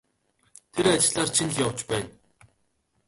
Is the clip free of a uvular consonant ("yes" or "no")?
yes